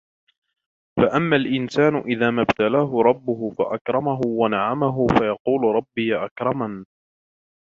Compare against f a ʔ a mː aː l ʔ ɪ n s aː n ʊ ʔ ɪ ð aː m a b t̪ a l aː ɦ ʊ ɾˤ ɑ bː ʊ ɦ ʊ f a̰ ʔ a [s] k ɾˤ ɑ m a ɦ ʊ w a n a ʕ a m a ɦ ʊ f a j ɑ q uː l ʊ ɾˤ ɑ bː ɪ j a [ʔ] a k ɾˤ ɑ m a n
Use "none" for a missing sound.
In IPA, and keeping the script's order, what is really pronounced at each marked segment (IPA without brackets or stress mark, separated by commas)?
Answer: none, ʔ